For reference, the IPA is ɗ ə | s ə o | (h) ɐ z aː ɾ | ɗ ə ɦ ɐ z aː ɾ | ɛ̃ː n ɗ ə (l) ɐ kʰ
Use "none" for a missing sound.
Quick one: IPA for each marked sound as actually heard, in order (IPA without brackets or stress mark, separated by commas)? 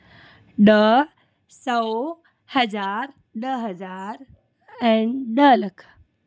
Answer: h, l